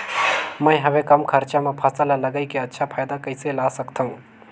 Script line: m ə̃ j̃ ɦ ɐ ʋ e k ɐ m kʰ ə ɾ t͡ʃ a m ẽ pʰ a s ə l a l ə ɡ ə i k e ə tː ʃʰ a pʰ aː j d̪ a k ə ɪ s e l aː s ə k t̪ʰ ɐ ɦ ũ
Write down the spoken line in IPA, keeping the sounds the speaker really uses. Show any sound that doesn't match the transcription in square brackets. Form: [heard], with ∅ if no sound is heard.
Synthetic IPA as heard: m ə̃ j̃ ɦ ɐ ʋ e k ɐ m kʰ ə ɾ t͡ʃ a m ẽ pʰ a s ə l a l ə ɡ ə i k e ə tː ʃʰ a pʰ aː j d̪ a k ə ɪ s e l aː s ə k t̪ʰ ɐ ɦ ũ